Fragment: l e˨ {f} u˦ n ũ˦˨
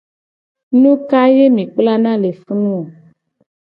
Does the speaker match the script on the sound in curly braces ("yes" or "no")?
yes